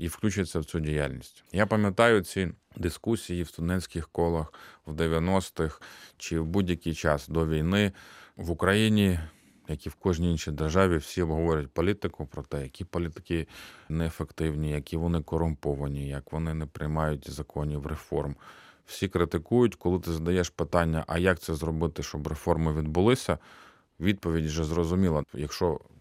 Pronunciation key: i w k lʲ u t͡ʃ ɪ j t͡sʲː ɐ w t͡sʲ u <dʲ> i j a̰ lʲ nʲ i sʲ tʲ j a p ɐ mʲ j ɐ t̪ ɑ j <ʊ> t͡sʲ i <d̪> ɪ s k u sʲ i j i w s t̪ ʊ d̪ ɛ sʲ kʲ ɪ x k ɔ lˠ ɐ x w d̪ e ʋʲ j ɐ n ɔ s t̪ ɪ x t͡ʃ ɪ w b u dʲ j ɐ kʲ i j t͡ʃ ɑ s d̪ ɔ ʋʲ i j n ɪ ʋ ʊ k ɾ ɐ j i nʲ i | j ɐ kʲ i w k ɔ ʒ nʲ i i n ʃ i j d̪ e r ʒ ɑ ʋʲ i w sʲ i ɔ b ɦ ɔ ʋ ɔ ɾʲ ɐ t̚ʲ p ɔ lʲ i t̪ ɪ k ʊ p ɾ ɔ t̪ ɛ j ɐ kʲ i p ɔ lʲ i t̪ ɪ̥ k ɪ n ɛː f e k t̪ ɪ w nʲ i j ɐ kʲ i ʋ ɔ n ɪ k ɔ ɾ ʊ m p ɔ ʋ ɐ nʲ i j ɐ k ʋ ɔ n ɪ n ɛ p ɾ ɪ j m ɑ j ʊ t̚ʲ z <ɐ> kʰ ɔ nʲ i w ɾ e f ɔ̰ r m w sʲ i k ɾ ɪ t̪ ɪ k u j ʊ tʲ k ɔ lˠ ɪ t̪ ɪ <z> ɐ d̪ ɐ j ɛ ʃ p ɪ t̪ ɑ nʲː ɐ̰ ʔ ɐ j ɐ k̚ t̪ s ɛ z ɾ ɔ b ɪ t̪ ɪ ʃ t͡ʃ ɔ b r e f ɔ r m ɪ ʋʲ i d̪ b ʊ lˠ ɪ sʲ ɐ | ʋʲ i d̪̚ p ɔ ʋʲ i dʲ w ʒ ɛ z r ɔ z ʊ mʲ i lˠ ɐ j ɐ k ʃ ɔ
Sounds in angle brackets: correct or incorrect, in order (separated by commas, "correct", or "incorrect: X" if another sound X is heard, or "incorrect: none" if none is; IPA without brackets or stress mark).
correct, correct, correct, correct, correct